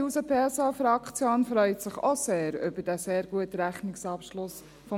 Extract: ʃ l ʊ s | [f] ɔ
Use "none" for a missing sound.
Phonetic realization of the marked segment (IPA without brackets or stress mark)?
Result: f